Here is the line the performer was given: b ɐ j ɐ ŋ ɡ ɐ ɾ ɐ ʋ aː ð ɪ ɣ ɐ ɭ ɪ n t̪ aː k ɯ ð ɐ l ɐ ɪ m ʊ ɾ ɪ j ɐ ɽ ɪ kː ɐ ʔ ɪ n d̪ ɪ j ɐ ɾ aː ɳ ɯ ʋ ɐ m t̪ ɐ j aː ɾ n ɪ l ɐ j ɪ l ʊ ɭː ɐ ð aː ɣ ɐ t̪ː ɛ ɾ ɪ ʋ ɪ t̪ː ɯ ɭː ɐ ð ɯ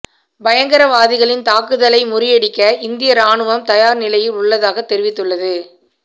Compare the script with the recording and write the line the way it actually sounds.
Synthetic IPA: b ɐ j ɐ ŋ ɡ ɐ ɾ ɐ ʋ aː ð ɪ ɣ ɐ ɭ ɪ n t̪ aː k ɯ ð ɐ l ɐ ɪ m ʊ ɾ ɪ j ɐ ɽ ɪ kː ɐ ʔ ɪ n d̪ ɪ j ɐ ɾ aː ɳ ɯ ʋ ɐ m t̪ ɐ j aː ɾ n ɪ l ɐ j ɪ l ʊ ɭː ɐ ð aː ɣ ɐ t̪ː ɛ ɾ ɪ ʋ ɪ t̪ː ɯ ɭː ɐ ð ɯ